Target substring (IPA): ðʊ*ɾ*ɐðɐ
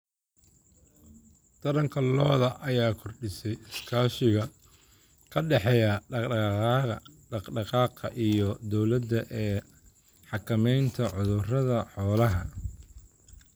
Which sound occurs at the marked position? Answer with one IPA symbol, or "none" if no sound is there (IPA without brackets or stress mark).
r